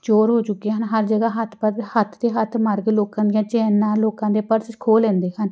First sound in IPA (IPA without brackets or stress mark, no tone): t͡ʃ